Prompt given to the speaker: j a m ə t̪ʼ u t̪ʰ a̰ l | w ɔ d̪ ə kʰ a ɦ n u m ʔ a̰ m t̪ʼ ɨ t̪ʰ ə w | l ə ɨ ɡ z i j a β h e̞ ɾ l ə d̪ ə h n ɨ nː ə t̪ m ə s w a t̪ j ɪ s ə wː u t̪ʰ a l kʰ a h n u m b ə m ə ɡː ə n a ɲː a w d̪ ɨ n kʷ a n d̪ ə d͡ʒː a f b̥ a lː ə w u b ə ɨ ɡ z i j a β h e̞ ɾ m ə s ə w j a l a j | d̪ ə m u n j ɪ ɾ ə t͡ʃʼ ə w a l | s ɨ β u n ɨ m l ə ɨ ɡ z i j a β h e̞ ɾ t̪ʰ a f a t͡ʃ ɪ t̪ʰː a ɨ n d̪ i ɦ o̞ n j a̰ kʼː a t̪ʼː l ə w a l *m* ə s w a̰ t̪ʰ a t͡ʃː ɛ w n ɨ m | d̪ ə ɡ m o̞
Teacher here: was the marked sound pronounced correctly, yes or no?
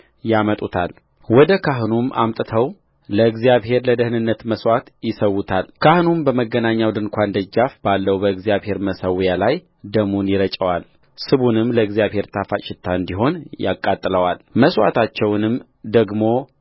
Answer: yes